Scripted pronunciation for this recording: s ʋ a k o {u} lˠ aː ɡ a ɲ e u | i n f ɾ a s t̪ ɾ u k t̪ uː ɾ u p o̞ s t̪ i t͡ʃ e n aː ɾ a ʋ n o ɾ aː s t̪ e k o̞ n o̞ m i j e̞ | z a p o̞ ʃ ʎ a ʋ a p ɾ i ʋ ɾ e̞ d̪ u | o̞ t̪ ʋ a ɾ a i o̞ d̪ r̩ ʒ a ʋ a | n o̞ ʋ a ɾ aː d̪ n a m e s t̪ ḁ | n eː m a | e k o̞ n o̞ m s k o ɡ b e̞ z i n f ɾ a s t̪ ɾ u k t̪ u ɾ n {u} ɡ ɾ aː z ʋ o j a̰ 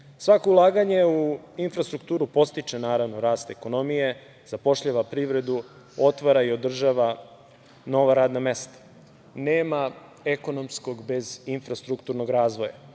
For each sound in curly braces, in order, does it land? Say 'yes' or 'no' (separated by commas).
yes, no